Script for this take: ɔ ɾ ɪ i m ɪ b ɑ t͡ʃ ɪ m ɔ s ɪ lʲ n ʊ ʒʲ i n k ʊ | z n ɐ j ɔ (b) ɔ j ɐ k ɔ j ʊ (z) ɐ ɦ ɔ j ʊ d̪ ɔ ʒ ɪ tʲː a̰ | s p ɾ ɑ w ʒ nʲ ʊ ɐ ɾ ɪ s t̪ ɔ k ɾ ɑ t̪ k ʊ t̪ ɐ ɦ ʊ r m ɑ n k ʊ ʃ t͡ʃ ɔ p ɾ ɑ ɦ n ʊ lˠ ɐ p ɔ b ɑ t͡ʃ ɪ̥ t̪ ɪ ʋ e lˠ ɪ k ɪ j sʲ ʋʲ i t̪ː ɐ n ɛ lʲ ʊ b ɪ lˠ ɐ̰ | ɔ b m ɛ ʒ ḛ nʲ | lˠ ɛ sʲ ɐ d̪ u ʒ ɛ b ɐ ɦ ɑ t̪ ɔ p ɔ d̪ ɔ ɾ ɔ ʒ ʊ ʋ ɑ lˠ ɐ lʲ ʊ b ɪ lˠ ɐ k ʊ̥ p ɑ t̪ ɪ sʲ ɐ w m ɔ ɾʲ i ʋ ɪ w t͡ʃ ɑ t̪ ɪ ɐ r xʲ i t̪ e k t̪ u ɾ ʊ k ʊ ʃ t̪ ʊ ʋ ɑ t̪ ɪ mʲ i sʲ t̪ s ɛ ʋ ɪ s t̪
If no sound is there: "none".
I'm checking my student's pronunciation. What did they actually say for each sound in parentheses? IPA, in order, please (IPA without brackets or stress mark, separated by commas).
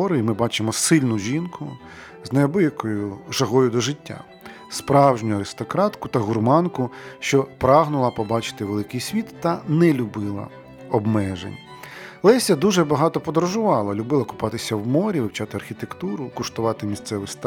b, ʒ